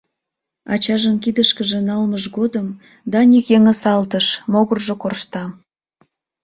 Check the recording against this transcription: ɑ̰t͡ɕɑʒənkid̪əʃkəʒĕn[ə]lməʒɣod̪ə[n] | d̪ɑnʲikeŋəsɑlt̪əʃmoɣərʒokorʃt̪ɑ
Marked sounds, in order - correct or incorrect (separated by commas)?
incorrect, incorrect